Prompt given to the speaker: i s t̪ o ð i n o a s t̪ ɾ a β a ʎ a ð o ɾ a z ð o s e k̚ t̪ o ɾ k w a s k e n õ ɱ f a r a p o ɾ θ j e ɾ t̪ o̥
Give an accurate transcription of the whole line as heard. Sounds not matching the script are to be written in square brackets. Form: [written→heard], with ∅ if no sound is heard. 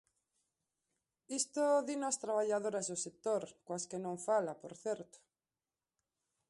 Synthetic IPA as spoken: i s t̪ o ð i n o a s t̪ ɾ a β a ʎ a ð o ɾ a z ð o s e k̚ t̪ o ɾ k w a s k e n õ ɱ f a [r→l] a p o ɾ θ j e ɾ t̪ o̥